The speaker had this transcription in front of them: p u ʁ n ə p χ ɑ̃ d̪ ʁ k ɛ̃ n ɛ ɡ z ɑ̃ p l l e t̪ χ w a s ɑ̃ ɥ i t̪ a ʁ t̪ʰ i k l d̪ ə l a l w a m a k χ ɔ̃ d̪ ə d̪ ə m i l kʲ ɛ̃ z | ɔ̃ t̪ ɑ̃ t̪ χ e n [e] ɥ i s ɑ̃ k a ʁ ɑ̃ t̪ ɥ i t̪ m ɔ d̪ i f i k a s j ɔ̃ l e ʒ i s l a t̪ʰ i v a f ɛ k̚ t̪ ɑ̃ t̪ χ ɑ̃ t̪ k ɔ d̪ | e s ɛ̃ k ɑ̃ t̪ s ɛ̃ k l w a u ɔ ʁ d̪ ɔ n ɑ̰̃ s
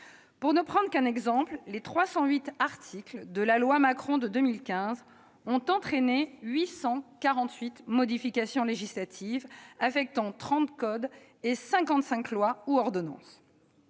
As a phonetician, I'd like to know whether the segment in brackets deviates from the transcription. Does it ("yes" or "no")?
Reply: no